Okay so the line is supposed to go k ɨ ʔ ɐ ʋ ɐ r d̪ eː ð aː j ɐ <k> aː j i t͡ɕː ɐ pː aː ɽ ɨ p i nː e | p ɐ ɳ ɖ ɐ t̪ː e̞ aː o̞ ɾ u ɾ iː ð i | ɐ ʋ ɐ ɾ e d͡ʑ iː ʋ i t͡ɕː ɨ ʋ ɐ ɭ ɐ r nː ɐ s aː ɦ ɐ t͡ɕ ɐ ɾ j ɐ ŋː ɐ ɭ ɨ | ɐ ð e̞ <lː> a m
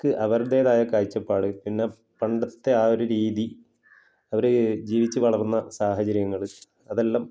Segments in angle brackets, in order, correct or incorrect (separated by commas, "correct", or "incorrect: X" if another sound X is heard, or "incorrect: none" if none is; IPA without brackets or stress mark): correct, correct